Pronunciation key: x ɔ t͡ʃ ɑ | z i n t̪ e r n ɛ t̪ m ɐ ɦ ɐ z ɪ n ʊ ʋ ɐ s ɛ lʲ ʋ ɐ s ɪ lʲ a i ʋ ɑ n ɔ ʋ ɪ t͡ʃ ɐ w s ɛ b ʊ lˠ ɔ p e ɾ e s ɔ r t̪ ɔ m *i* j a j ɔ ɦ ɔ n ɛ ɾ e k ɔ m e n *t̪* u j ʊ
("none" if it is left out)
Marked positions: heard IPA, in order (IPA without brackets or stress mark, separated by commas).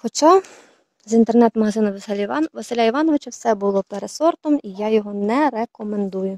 i, d̪